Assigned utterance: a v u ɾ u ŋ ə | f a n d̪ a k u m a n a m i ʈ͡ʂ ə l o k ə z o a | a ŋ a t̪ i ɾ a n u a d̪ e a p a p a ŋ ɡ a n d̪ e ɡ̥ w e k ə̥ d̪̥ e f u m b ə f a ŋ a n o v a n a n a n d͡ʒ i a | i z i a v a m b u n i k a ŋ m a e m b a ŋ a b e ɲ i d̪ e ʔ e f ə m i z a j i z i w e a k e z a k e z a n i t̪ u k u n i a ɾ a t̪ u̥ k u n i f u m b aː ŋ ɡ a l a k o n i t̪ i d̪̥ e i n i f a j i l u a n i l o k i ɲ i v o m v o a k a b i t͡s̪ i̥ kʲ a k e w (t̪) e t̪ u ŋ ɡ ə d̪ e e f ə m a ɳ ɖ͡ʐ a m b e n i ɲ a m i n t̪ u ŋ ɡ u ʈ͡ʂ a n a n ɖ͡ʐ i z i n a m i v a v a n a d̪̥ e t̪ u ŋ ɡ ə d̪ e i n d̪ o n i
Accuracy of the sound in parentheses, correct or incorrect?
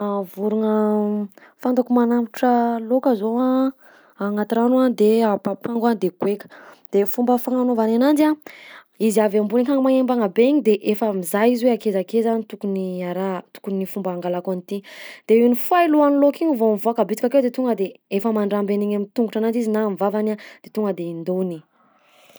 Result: incorrect